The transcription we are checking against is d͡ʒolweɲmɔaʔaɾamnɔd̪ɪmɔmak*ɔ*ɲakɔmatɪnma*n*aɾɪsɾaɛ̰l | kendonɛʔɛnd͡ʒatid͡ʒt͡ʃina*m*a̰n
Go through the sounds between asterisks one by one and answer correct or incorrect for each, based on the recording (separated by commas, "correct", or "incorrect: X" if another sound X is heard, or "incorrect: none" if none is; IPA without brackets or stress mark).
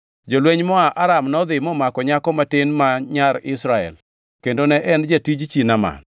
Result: correct, incorrect: ɲ, correct